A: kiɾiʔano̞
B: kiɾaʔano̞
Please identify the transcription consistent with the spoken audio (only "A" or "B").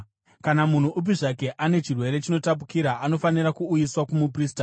B